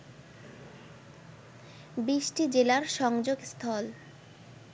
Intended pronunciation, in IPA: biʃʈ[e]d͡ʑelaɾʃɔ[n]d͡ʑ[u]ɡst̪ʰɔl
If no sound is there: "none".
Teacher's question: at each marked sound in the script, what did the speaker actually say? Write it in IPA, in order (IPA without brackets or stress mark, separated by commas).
i, ŋ, o